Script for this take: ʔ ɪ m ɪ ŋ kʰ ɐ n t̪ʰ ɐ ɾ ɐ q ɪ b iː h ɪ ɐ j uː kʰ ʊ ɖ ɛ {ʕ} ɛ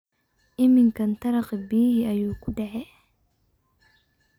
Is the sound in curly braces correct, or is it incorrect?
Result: correct